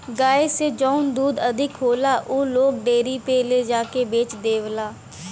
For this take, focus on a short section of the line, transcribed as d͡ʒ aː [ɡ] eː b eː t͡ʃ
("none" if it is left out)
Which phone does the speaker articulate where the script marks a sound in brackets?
k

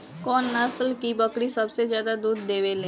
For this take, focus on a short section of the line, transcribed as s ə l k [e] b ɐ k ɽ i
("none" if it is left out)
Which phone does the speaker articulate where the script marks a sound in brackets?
i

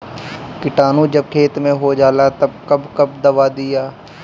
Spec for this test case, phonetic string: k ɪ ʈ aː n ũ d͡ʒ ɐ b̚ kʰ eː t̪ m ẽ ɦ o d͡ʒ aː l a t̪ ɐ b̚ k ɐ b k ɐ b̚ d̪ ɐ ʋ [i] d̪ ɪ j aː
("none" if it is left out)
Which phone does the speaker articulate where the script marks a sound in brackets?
a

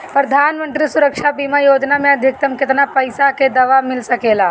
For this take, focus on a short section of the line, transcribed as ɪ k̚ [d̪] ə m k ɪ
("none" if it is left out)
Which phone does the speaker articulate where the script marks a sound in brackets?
t̪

